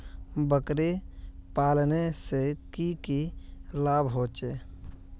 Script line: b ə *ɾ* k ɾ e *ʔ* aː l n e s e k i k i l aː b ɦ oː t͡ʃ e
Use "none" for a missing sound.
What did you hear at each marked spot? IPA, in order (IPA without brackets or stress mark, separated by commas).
none, p